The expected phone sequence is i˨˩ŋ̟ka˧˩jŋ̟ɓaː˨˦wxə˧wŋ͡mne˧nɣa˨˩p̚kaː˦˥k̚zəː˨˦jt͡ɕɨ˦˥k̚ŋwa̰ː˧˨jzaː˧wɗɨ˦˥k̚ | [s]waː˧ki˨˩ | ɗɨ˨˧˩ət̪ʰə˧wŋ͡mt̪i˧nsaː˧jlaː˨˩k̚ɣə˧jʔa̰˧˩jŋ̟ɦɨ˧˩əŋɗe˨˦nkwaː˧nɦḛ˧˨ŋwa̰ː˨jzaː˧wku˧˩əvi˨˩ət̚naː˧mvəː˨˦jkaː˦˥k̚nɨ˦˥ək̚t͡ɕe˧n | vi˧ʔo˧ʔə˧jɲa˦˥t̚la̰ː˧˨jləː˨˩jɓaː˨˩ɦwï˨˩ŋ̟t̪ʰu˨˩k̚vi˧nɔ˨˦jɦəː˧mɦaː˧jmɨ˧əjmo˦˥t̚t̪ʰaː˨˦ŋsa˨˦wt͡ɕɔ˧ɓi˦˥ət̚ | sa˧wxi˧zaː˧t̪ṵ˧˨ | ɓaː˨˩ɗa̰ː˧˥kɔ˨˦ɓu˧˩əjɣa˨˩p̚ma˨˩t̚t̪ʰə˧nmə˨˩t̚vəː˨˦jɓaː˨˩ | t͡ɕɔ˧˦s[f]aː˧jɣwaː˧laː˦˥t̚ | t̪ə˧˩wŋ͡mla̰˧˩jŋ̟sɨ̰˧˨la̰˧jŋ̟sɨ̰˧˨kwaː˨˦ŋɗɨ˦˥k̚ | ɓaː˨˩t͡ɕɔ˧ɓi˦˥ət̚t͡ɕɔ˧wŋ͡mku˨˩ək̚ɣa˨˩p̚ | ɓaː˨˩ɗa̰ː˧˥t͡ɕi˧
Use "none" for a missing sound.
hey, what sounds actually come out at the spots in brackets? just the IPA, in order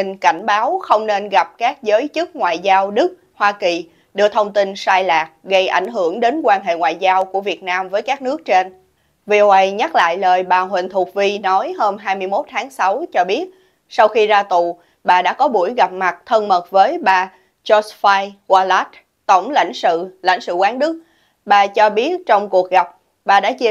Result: h, f

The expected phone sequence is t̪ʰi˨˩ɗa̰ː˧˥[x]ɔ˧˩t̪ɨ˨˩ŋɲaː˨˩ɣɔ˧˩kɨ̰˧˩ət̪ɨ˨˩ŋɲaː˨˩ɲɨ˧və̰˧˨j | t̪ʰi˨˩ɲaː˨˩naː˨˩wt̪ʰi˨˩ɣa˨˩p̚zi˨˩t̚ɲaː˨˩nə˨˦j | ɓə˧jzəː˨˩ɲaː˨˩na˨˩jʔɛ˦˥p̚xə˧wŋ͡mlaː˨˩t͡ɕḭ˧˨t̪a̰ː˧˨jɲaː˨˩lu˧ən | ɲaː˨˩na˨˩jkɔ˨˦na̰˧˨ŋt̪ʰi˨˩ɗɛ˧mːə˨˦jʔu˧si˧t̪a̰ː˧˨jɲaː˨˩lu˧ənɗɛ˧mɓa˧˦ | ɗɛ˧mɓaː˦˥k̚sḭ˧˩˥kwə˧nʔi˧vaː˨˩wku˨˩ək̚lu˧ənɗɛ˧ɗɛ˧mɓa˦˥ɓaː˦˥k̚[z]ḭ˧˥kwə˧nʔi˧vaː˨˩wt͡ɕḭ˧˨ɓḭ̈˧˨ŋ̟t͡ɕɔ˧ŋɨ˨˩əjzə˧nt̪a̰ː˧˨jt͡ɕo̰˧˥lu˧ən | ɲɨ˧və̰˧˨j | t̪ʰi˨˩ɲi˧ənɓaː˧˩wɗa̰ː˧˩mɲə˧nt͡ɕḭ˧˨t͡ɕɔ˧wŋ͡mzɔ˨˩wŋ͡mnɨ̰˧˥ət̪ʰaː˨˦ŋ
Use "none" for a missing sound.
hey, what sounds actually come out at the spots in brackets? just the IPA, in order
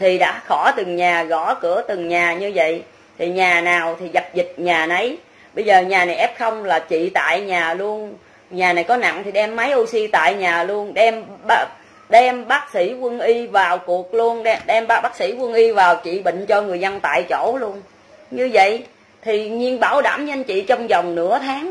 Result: x, s

